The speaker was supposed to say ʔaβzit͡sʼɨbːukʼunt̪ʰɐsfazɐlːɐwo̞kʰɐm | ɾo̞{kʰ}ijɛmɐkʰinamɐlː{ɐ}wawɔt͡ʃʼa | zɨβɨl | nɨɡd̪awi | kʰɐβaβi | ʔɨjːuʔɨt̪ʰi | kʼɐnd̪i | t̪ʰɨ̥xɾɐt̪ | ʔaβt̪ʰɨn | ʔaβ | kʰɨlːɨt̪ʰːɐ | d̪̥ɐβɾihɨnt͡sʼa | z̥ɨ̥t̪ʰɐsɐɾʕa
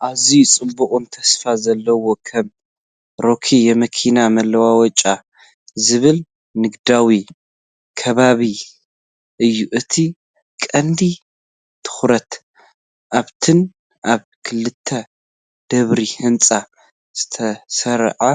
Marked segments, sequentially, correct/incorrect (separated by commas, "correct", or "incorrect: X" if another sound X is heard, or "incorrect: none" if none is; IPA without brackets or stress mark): correct, correct